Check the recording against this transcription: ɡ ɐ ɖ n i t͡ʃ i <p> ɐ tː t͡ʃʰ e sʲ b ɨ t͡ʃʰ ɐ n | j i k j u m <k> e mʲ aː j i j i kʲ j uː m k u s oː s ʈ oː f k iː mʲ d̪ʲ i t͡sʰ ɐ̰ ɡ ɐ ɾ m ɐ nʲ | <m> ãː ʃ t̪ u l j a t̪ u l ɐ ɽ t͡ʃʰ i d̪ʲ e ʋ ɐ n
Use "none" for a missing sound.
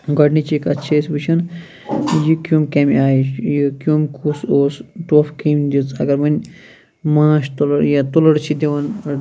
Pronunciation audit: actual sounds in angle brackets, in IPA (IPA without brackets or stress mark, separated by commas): k, k, m